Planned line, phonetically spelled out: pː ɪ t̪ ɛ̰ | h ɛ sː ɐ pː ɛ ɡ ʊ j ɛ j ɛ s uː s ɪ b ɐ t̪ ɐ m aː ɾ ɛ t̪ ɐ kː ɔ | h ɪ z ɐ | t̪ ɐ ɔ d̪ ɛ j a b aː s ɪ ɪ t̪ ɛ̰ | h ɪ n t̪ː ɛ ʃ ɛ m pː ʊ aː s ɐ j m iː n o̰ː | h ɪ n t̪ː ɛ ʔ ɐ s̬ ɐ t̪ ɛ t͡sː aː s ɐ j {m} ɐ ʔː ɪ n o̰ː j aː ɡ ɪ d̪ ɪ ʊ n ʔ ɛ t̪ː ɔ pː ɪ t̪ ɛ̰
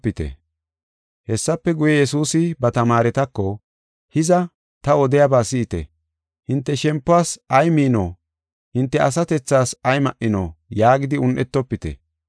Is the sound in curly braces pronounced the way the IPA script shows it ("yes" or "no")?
yes